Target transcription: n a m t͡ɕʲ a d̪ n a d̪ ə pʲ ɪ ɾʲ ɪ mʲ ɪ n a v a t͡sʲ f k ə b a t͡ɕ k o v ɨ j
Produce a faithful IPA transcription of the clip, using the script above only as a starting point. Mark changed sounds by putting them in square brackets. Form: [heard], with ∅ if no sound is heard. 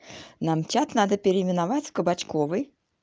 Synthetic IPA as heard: n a m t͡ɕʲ a [t̪] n a d̪ ə pʲ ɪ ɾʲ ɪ mʲ ɪ n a v a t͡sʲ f k ə b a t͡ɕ k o v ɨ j